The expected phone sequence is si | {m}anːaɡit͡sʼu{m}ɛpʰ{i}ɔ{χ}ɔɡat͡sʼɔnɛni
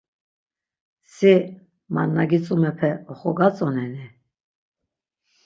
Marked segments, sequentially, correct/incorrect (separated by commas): correct, correct, incorrect, correct